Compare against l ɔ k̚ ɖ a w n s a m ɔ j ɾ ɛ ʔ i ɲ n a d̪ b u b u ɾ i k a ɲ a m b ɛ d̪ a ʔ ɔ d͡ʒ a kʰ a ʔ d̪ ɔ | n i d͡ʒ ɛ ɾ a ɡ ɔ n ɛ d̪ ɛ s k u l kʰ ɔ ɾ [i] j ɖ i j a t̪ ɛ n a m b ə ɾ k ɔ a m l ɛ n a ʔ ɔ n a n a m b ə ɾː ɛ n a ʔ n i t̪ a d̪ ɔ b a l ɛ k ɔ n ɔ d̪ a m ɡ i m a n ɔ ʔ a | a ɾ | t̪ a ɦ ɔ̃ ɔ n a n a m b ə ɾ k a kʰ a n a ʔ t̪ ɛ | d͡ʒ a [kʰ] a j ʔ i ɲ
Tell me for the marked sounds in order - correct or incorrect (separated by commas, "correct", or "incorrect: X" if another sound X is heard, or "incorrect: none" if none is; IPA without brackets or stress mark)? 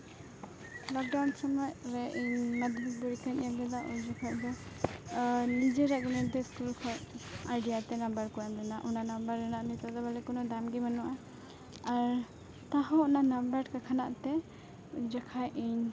incorrect: a, correct